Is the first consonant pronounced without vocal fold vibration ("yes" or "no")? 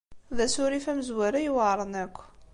no